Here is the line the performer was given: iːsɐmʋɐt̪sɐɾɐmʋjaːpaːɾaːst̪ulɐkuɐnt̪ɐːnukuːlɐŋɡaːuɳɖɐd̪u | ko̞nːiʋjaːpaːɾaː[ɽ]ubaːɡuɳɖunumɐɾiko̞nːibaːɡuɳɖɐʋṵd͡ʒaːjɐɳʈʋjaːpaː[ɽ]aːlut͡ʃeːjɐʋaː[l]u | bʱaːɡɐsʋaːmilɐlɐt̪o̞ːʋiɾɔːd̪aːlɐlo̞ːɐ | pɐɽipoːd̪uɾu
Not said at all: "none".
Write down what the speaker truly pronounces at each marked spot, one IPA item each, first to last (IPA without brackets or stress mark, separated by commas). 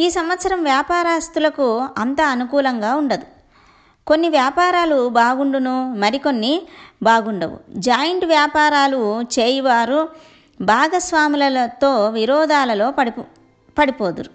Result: l, ɾ, ɾ